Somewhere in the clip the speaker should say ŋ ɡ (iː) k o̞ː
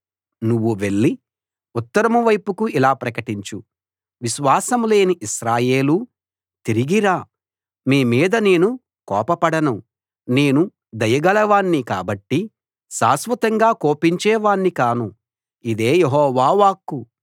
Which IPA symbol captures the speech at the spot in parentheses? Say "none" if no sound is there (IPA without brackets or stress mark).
aː